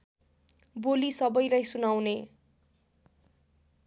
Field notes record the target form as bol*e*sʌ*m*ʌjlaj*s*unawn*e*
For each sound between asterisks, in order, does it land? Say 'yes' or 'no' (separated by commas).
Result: no, no, yes, yes